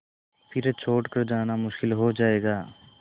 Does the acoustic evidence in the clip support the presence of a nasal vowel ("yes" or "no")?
no